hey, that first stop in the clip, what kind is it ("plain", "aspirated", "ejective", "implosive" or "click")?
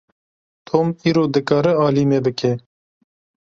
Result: aspirated